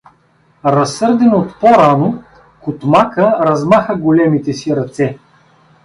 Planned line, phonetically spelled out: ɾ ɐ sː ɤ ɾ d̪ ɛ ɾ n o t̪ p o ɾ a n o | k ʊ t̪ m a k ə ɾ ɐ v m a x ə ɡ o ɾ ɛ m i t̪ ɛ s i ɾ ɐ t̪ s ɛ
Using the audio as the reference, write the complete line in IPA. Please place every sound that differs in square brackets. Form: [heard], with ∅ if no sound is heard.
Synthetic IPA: ɾ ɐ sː ɤ ɾ d̪ ɛ [∅] n o t̪ p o ɾ a n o | k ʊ t̪ m a k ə ɾ ɐ [z] m a x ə ɡ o [l] ɛ m i t̪ ɛ s i ɾ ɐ t̪ s ɛ